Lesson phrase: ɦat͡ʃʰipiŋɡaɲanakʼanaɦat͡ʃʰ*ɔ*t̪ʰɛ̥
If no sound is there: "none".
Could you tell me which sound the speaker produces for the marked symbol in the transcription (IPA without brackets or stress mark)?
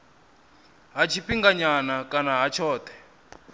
ɔː